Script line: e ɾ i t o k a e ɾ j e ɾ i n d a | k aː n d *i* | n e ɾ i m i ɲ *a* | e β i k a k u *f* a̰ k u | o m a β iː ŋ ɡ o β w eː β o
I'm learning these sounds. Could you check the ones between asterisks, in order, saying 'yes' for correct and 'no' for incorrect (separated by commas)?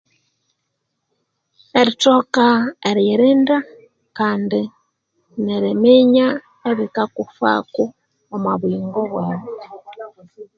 yes, yes, yes